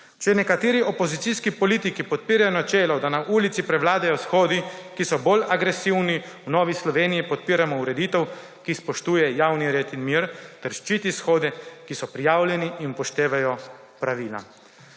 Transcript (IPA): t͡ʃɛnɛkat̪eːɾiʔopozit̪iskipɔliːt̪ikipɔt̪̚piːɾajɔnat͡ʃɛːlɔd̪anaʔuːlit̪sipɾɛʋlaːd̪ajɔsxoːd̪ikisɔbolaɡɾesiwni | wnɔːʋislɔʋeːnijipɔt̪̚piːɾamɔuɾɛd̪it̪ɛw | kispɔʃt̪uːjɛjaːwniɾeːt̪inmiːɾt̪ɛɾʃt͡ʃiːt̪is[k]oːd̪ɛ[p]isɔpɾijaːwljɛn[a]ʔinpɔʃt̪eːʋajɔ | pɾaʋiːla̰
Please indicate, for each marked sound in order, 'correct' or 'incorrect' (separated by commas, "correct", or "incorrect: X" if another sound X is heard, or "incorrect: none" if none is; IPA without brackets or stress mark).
incorrect: x, incorrect: k, incorrect: i